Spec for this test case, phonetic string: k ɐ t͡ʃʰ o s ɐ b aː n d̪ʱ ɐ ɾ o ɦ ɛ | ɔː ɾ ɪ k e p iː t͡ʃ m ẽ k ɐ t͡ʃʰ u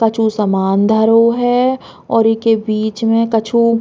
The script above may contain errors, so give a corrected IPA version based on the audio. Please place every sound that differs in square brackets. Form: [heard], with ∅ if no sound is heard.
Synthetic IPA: k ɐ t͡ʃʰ [u] s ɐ [m] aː n d̪ʱ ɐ ɾ o ɦ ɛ | ɔː ɾ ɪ k e [b] iː t͡ʃ m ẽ k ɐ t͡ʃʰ u